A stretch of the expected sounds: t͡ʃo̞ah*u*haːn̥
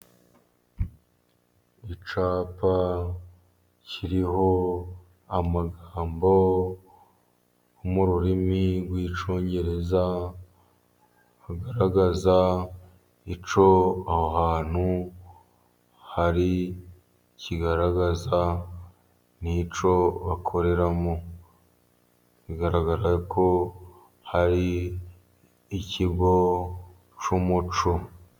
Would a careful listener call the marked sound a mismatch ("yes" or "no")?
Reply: yes